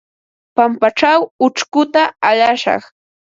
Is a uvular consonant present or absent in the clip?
present